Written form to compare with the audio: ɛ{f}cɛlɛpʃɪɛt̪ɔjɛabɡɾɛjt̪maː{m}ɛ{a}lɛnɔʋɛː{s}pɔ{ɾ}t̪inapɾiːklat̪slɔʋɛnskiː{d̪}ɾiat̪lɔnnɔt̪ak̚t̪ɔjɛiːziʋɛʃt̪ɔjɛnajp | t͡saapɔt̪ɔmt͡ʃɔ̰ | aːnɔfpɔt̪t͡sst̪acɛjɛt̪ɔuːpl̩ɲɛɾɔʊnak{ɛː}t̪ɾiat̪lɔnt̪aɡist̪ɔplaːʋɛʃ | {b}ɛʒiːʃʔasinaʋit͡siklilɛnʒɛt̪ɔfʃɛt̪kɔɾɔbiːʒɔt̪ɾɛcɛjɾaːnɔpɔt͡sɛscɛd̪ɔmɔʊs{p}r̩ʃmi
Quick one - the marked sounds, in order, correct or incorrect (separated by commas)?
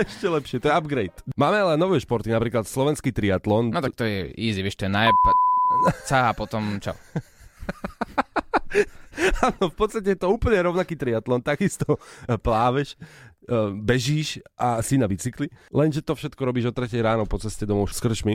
incorrect, correct, correct, incorrect, correct, incorrect, incorrect, correct, incorrect